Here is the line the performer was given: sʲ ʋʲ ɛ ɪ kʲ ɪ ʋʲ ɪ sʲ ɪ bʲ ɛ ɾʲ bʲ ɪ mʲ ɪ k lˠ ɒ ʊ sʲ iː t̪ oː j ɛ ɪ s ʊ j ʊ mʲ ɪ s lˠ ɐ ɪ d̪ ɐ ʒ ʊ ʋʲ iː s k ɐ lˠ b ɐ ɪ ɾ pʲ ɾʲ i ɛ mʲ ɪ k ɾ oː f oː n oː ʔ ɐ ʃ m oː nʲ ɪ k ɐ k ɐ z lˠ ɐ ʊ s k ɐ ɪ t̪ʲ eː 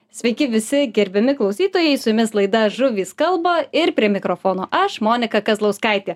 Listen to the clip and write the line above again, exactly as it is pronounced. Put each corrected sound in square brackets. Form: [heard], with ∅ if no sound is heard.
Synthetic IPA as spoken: sʲ ʋʲ ɛ ɪ kʲ ɪ ʋʲ ɪ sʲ ɪ [ɡʲ] ɛ ɾʲ bʲ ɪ mʲ ɪ k lˠ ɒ ʊ sʲ iː t̪ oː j ɛ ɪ s ʊ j ʊ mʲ ɪ s lˠ ɐ ɪ d̪ ɐ ʒ ʊ ʋʲ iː s k ɐ lˠ b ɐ ɪ ɾ pʲ ɾʲ i ɛ mʲ ɪ k ɾ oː f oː n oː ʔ ɐ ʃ m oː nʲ ɪ k ɐ k ɐ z lˠ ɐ ʊ s k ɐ ɪ t̪ʲ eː

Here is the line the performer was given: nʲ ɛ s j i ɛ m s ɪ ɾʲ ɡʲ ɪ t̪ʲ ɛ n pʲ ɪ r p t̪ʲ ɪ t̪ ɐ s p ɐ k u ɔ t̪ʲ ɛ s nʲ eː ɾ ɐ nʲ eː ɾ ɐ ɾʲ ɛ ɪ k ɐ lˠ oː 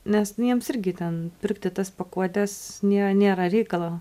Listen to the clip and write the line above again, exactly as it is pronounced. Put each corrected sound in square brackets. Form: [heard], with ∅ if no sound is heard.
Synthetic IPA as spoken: nʲ ɛ s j i ɛ m s ɪ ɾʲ ɡʲ ɪ t̪ʲ ɛ n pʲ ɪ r [k] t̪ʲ ɪ t̪ ɐ s p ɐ k u ɔ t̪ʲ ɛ s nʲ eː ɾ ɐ nʲ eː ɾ ɐ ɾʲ ɛ ɪ k ɐ lˠ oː

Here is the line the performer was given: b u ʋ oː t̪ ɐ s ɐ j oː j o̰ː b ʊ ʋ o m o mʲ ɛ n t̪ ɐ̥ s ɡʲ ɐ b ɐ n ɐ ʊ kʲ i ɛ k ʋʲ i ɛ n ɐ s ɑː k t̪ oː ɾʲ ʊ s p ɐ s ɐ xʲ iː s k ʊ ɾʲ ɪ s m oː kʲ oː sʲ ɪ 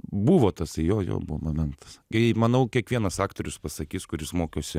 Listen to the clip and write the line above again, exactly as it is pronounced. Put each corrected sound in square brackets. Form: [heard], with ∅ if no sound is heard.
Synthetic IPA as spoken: b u ʋ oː t̪ ɐ s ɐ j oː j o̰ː b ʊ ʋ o m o mʲ ɛ n t̪ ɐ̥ s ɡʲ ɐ [m] ɐ n ɐ ʊ kʲ i ɛ k ʋʲ i ɛ n ɐ s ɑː k t̪ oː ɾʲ ʊ s p ɐ s ɐ [kʲ] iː s k ʊ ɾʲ ɪ s m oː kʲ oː sʲ ɪ

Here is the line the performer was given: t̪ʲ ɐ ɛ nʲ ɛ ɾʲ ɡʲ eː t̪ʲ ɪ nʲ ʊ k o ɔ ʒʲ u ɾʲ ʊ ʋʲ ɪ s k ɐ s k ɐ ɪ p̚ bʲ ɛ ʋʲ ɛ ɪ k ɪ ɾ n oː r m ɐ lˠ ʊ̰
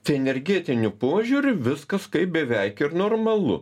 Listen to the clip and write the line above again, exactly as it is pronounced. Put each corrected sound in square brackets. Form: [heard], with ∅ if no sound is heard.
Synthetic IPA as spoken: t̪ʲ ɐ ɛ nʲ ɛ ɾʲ ɡʲ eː t̪ʲ ɪ nʲ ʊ [p] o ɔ ʒʲ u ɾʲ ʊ ʋʲ ɪ s k ɐ s k ɐ ɪ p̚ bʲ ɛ ʋʲ ɛ ɪ k ɪ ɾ n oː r m ɐ lˠ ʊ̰

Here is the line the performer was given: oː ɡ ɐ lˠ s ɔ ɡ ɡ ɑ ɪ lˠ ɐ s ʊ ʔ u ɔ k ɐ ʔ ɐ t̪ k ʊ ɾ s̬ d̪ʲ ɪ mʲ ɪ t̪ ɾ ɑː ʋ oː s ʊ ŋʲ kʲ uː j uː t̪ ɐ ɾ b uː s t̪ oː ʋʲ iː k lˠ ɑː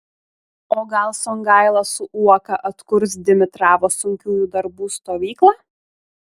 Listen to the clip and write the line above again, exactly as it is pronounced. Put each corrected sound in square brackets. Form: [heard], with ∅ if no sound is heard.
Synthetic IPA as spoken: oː ɡ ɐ lˠ s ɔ [ŋ] ɡ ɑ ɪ lˠ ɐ s ʊ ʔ u ɔ k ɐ ʔ ɐ t̪ k ʊ ɾ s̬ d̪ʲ ɪ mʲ ɪ t̪ ɾ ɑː ʋ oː s ʊ ŋʲ kʲ uː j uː [d̪] ɐ ɾ b uː s t̪ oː ʋʲ iː k lˠ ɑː

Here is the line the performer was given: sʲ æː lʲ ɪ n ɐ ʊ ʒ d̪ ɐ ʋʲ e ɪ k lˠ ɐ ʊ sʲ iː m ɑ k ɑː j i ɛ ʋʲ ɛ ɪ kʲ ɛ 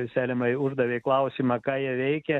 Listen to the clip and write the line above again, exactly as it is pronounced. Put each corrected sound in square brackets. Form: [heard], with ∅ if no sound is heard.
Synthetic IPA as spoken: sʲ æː lʲ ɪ [m] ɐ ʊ ʒ d̪ ɐ ʋʲ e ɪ k lˠ ɐ ʊ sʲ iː m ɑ k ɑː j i ɛ ʋʲ ɛ ɪ kʲ ɛ

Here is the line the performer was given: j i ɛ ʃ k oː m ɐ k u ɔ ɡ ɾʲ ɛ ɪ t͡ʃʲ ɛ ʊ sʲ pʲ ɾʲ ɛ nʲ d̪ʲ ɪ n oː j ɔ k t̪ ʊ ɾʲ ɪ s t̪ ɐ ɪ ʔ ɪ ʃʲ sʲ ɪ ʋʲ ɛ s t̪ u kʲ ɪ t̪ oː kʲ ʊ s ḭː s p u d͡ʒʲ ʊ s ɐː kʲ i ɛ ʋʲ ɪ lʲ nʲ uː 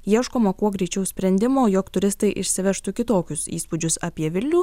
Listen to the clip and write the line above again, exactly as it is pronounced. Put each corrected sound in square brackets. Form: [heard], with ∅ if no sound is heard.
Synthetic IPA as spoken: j i ɛ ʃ k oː m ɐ k u ɔ ɡ ɾʲ ɛ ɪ t͡ʃʲ ɛ ʊ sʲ pʲ ɾʲ ɛ nʲ d̪ʲ ɪ [m] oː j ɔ k t̪ ʊ ɾʲ ɪ s t̪ ɐ ɪ ʔ ɪ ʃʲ sʲ ɪ ʋʲ ɛ [ʃ] t̪ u kʲ ɪ t̪ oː kʲ ʊ s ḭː s p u d͡ʒʲ ʊ s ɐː [pʲ] i ɛ ʋʲ ɪ lʲ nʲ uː

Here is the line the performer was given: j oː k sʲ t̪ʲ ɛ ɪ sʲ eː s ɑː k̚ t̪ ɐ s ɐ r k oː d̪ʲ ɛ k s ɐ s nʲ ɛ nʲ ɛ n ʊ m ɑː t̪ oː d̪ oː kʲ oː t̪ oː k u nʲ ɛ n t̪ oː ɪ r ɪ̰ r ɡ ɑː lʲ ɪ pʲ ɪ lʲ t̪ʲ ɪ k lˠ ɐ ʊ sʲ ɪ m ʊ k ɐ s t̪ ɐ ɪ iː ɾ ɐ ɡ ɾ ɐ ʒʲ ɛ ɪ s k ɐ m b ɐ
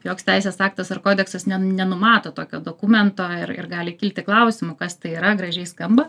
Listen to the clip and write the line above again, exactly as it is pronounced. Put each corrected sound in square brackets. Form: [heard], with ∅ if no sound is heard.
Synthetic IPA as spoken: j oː k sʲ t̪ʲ ɛ ɪ sʲ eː s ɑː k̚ t̪ ɐ s ɐ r k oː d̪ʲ ɛ k s ɐ s nʲ ɛ nʲ ɛ n ʊ m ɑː t̪ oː [t̪] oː kʲ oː [d̪] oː k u [mʲ] ɛ n t̪ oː ɪ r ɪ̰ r ɡ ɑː lʲ ɪ [kʲ] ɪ lʲ t̪ʲ ɪ k lˠ ɐ ʊ sʲ ɪ m ʊ k ɐ s t̪ ɐ ɪ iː ɾ ɐ ɡ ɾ ɐ ʒʲ ɛ ɪ s k ɐ m b ɐ

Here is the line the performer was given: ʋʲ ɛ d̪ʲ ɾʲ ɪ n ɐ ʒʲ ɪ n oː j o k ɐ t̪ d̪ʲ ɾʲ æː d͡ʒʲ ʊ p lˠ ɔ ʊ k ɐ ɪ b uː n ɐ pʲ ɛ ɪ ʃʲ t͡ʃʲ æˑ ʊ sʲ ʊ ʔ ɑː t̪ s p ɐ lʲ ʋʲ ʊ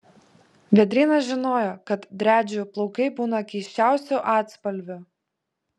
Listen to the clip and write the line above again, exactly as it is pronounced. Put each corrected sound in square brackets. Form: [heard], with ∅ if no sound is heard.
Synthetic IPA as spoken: ʋʲ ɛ d̪ʲ ɾʲ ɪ n ɐ ʒʲ ɪ n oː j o k ɐ t̪ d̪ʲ ɾʲ æː d͡ʒʲ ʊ p lˠ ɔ ʊ k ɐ ɪ b uː n ɐ [kʲ] ɛ ɪ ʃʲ t͡ʃʲ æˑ ʊ sʲ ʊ ʔ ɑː t̪ s p ɐ lʲ ʋʲ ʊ

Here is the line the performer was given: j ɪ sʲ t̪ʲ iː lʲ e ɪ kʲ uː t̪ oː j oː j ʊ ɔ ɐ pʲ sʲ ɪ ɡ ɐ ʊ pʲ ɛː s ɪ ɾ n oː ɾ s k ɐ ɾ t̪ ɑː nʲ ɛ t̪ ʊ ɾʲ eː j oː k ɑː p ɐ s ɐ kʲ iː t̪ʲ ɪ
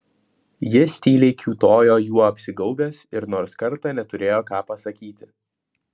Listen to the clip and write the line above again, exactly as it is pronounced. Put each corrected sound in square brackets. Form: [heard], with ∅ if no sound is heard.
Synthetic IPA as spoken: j ɪ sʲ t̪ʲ iː lʲ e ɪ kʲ uː t̪ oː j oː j [u] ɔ ɐ pʲ sʲ ɪ ɡ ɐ ʊ [bʲ] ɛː s ɪ ɾ n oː ɾ s k ɐ ɾ t̪ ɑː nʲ ɛ t̪ ʊ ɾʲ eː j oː k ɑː p ɐ s ɐ kʲ iː t̪ʲ ɪ

